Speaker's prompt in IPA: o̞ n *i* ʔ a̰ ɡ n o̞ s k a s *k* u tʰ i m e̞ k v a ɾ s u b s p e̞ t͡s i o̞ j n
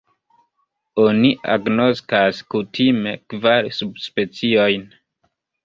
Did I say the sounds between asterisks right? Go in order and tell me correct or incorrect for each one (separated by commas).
correct, correct